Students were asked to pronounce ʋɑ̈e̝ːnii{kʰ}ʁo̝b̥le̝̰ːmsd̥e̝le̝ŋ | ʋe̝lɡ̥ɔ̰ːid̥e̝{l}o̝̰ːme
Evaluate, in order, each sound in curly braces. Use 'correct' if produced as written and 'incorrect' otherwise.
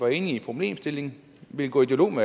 incorrect: pʰ, correct

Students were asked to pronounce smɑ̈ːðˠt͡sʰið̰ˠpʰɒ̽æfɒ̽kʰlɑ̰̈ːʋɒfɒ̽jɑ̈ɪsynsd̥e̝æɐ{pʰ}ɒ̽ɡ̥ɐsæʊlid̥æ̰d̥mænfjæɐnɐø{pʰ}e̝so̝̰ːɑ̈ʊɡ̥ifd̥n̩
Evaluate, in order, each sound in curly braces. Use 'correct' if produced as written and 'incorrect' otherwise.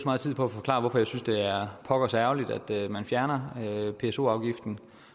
correct, correct

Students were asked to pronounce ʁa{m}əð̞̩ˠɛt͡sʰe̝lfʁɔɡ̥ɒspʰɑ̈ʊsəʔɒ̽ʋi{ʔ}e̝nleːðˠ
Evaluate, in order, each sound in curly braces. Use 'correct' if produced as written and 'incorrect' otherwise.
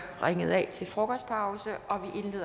incorrect: ŋ, correct

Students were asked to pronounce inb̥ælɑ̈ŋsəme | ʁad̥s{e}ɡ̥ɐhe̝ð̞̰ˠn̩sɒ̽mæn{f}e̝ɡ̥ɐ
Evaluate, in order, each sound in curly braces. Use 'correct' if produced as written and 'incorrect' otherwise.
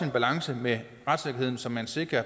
correct, incorrect: s

